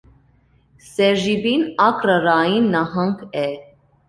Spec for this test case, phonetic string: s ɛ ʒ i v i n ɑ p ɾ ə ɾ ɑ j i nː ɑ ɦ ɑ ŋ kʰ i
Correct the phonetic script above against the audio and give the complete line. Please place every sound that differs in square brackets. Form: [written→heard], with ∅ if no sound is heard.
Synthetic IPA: s ɛ ʒ i [v→b] i n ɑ [p→k] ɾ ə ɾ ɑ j i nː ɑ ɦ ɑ ŋ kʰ [i→ɛ]